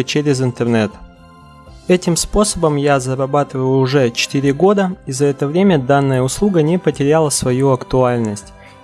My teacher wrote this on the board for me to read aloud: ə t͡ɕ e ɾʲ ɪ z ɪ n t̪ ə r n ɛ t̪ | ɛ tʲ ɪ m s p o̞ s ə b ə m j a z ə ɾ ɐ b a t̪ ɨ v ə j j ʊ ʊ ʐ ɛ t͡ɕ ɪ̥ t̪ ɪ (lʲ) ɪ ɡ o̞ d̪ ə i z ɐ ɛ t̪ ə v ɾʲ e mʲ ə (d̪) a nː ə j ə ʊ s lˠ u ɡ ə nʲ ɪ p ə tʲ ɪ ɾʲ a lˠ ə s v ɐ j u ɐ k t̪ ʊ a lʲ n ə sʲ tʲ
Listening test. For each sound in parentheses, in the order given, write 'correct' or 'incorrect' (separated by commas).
incorrect, correct